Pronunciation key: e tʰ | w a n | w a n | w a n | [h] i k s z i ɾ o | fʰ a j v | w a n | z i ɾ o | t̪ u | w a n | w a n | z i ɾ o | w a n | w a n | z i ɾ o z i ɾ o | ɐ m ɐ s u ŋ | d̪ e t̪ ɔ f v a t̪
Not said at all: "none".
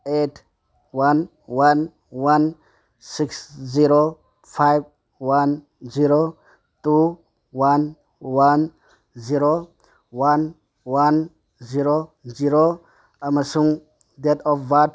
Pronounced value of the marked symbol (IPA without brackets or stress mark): s